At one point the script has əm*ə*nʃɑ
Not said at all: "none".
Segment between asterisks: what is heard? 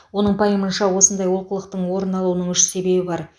ə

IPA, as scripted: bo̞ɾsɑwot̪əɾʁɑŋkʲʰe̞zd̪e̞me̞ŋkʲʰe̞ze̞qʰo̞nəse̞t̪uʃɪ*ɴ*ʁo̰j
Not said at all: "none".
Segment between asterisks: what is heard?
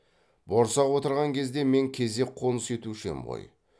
m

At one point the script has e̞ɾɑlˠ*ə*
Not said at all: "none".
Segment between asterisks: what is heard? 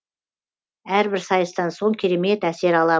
ɑ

